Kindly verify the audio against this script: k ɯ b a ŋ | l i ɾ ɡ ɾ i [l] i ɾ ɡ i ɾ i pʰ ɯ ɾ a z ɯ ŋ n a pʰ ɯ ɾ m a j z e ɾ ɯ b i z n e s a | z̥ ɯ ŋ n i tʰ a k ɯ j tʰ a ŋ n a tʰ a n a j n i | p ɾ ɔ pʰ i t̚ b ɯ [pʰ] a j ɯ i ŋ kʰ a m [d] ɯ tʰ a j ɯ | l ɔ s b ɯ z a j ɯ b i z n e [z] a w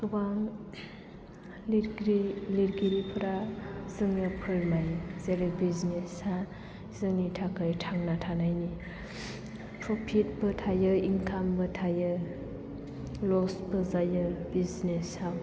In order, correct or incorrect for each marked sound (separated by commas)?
correct, incorrect, incorrect, incorrect